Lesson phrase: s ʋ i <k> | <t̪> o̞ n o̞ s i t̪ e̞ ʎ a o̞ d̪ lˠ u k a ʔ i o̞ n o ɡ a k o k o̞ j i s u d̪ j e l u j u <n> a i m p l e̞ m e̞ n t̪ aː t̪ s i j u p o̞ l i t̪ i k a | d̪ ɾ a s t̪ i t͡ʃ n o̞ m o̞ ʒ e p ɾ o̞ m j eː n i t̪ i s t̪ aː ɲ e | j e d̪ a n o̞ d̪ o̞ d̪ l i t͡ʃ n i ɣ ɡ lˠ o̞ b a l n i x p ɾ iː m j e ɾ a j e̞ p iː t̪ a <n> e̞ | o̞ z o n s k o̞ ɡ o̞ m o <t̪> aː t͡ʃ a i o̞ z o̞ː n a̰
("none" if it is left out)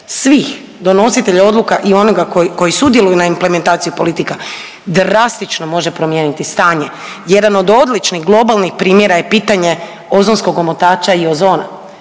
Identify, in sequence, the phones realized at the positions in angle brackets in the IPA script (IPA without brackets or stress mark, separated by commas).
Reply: x, d̪, n, ɲ, t̪